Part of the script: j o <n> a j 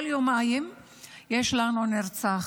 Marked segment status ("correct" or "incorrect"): incorrect